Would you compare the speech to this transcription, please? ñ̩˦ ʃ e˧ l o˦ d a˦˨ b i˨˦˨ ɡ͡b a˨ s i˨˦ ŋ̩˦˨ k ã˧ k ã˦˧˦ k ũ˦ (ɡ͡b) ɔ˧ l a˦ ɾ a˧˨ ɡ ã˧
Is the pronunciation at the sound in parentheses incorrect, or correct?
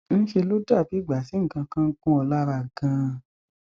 incorrect